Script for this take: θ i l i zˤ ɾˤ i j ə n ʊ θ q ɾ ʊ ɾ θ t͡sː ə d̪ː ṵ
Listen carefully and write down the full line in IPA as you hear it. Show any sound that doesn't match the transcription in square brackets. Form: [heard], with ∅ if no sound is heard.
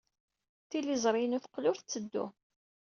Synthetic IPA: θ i l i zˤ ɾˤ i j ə n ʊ θ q [l] ʊ ɾ θ t͡sː ə d̪ː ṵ